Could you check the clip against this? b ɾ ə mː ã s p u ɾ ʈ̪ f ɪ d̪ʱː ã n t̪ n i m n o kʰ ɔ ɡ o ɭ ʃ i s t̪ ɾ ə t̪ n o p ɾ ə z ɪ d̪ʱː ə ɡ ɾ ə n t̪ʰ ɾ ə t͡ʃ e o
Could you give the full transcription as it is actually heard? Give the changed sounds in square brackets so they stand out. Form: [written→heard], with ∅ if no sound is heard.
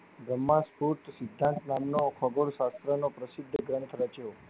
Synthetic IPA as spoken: b ɾ ə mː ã s p u ɾ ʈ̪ [f→s] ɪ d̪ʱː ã n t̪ n [i→a] m n o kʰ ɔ ɡ o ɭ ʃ [i→a] s t̪ ɾ ə [t̪→∅] n o p ɾ ə [z→s] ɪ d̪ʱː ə ɡ ɾ ə n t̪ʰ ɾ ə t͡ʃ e o